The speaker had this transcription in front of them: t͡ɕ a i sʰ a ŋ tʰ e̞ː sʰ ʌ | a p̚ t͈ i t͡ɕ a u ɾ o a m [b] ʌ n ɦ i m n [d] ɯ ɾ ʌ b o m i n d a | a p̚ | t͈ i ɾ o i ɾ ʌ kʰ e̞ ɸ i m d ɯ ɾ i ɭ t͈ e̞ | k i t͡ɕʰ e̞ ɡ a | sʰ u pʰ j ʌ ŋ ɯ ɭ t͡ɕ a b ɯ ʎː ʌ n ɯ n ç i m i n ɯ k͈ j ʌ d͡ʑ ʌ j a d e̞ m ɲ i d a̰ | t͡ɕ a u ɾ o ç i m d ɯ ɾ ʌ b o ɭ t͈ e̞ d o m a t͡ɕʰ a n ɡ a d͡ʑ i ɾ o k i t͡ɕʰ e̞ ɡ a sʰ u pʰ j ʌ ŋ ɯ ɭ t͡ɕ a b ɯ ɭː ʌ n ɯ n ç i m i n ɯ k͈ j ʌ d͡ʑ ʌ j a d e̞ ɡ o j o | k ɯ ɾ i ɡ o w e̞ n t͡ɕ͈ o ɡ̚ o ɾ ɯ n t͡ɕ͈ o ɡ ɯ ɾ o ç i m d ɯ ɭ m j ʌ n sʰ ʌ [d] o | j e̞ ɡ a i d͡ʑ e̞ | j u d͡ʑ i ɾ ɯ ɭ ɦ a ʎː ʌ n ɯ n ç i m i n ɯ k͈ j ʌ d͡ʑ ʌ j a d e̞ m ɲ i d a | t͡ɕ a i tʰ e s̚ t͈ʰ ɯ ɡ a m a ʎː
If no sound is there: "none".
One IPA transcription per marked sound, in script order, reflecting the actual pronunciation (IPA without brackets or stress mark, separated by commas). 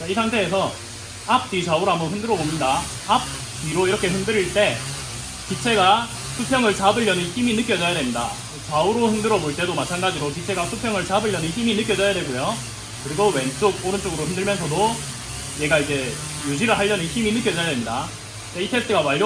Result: b, d, d